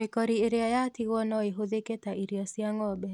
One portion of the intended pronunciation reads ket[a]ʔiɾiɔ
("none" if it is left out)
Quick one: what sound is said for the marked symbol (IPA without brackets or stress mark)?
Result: a